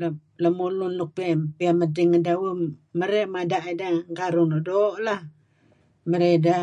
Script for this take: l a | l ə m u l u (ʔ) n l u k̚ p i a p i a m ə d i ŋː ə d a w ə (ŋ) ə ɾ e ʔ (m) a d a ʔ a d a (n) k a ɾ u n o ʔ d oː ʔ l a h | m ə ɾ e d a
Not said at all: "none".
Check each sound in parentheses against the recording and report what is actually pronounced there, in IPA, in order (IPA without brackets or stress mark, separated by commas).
none, m, m, ŋ